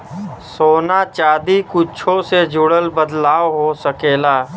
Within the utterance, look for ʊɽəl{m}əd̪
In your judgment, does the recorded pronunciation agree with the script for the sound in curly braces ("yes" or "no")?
no